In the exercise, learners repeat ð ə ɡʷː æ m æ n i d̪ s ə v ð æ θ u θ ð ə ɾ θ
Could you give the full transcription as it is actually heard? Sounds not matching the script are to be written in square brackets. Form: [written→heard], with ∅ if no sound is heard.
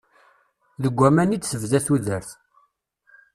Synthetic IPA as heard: ð ə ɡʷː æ m æ n i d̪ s ə v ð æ θ u [θ→∅] ð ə ɾ θ

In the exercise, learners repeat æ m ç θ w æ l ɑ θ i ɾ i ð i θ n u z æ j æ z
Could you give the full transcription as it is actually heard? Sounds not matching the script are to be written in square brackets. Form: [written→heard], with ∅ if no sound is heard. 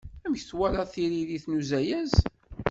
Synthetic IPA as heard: æ m ç θ w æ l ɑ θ i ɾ i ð i θ n u z æ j æ z

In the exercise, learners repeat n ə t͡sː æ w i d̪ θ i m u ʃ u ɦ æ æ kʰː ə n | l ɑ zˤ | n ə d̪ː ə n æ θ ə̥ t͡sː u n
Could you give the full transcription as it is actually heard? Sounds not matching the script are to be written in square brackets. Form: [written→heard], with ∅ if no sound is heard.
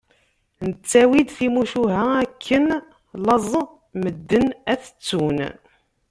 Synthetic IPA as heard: n ə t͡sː æ w i d̪ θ i m u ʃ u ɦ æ æ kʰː ə n | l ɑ zˤ | [n→m] ə d̪ː ə n æ θ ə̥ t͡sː u n

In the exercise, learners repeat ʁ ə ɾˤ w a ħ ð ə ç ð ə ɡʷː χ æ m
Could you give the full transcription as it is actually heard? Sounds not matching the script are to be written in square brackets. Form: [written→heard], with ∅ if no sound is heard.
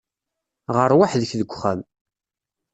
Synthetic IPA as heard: ʁ ə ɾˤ w a ħ ð ə ç ð ə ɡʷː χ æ m

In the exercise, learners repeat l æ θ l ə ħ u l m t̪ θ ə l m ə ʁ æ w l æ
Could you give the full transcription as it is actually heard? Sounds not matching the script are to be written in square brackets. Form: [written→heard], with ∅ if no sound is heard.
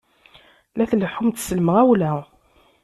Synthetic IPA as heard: l æ θ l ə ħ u [l→∅] m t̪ [θ→s] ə l m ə ʁ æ w l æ

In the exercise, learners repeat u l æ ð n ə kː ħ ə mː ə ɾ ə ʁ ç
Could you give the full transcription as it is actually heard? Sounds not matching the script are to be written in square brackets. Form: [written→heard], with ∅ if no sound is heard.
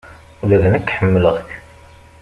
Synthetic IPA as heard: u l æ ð n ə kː ħ ə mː ə [ɾ→l] ə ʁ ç

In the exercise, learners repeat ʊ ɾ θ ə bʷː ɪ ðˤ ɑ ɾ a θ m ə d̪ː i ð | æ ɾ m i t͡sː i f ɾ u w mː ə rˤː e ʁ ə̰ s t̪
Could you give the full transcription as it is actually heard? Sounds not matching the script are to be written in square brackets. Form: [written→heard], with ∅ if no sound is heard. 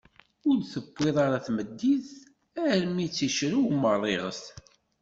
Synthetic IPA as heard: ʊ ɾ θ ə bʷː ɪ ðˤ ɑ ɾ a θ m ə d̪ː i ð | æ ɾ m i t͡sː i [f→ʃ] ɾ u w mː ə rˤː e ʁ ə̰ s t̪

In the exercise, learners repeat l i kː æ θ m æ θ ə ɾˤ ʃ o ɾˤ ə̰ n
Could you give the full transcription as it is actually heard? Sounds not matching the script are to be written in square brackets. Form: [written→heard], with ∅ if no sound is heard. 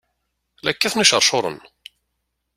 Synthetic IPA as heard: l [i→æ] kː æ θ [m→n] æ [θ→ʃ] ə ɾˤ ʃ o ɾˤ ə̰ n

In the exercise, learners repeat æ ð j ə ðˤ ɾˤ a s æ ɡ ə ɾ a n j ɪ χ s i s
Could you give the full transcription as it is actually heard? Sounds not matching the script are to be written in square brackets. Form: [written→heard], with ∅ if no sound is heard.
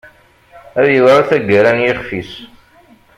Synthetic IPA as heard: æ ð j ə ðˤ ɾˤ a [s→θ] æ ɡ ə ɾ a n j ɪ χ [s→f] i s

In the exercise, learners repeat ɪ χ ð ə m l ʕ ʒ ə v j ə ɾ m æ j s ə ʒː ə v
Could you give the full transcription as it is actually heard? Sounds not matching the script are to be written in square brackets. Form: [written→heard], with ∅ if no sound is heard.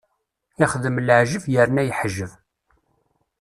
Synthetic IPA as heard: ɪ χ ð ə m l ʕ ʒ ə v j ə ɾ [m→n] æ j [s→ħ] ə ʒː ə v

